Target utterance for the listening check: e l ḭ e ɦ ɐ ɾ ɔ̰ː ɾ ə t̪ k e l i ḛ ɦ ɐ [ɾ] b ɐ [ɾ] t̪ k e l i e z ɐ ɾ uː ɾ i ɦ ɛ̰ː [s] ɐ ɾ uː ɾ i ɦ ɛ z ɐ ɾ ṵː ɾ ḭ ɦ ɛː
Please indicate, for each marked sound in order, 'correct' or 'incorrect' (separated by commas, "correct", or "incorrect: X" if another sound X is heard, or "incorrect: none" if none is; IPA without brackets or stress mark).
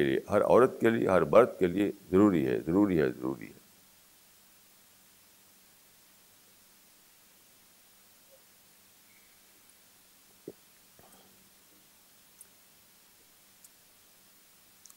correct, correct, incorrect: z